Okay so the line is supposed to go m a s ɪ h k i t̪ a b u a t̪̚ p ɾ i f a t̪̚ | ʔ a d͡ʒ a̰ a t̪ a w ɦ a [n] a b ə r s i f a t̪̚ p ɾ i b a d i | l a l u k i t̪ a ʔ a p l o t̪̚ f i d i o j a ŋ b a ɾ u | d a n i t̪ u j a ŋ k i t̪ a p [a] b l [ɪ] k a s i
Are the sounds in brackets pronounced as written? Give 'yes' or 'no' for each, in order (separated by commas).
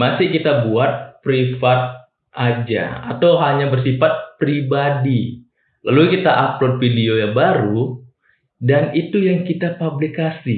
no, yes, no